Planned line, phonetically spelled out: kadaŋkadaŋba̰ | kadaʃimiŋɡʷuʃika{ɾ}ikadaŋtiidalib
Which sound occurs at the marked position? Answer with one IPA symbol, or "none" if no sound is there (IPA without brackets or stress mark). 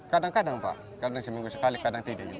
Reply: l